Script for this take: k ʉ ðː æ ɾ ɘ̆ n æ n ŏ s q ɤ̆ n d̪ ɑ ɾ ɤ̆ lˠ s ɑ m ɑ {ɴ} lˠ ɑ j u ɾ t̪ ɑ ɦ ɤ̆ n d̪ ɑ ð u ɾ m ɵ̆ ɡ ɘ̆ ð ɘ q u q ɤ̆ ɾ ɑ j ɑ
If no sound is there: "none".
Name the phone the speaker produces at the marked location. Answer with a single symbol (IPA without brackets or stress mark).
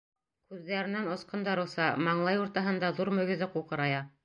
ɴ